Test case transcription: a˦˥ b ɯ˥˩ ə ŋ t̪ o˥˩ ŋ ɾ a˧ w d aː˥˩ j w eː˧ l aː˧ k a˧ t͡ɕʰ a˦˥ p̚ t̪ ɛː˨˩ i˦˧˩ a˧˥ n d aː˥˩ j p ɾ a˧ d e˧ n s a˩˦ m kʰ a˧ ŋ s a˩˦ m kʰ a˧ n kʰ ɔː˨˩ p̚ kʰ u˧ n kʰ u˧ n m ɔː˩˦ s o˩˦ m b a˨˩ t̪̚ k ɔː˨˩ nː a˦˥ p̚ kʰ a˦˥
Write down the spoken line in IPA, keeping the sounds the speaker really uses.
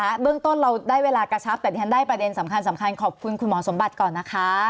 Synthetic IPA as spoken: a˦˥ b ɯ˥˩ ə ŋ t̪ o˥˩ n ɾ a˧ w d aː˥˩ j w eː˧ l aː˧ k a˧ t͡ɕʰ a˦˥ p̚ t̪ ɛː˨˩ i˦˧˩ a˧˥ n d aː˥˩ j p ɾ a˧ d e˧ n s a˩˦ m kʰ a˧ n s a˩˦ m kʰ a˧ n kʰ ɔː˨˩ p̚ kʰ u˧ n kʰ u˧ n m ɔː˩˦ s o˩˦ m b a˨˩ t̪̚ k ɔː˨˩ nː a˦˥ kʰ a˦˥